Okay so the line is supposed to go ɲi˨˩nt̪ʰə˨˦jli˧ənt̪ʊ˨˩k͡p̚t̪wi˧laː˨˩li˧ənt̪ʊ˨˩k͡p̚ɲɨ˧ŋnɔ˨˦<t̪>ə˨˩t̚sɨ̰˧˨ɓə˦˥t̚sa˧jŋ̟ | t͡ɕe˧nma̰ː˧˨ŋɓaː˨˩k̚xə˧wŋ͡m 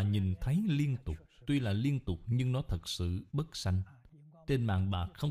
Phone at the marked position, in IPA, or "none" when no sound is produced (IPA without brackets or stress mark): t̪ʰ